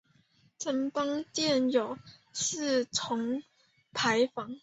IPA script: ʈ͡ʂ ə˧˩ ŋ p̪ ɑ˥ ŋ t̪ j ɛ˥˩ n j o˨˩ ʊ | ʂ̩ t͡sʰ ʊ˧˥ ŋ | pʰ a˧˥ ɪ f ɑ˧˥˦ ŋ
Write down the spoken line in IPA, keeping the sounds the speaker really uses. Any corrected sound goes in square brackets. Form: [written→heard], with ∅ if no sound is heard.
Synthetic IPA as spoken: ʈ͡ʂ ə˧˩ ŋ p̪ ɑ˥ ŋ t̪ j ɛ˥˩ n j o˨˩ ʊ | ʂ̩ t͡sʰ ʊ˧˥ ŋ | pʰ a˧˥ ɪ f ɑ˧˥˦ ŋ